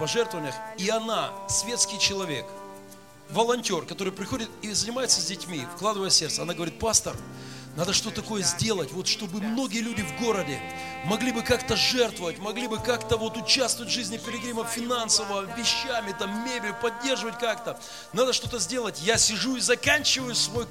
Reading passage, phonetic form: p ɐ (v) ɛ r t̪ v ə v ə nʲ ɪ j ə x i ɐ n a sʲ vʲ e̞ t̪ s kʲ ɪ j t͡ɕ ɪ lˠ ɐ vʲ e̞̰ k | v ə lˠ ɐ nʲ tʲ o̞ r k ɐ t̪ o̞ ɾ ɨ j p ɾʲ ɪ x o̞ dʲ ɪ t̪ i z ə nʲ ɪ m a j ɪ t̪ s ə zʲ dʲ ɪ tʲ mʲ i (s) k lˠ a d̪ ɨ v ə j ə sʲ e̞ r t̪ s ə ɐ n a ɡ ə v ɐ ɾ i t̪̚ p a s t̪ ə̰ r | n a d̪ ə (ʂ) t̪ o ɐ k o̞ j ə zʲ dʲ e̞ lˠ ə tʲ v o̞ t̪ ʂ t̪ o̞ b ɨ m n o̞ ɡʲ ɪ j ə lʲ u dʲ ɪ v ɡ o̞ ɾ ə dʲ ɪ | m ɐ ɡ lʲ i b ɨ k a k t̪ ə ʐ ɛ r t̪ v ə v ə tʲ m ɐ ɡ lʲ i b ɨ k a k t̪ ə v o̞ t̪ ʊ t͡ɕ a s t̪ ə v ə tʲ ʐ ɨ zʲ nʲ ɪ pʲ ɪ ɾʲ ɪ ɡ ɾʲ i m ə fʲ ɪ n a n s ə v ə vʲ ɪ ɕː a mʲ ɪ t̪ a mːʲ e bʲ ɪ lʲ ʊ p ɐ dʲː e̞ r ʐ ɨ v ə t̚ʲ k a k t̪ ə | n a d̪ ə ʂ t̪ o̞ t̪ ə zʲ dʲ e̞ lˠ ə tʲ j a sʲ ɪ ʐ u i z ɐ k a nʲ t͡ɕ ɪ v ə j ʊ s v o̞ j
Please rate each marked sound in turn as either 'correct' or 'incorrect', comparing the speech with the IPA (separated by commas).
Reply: incorrect, incorrect, correct